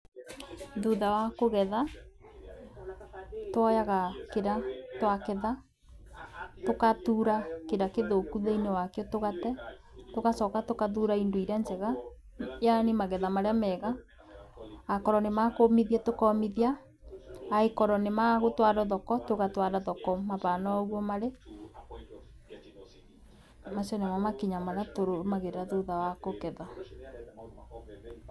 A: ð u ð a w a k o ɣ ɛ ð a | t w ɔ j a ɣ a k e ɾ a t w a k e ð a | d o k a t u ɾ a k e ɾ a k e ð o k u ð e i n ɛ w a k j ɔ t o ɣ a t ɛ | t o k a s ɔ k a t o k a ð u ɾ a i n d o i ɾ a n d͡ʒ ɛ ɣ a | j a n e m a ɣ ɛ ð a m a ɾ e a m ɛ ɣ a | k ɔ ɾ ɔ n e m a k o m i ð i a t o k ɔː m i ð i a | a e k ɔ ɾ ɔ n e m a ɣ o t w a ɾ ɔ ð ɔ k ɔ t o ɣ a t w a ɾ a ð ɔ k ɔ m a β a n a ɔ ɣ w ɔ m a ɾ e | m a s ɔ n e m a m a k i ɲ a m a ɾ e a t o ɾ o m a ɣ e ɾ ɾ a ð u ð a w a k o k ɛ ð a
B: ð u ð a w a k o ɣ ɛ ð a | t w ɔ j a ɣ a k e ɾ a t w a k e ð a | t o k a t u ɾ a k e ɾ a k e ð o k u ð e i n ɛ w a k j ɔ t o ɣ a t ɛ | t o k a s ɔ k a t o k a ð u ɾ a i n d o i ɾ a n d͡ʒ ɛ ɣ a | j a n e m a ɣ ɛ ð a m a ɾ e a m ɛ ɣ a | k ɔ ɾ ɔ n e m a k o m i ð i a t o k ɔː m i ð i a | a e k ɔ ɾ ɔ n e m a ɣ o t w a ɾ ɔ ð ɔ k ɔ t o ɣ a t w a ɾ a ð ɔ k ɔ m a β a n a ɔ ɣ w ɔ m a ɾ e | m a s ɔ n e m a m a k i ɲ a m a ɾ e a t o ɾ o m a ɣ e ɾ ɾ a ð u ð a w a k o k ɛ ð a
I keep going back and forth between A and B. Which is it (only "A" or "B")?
B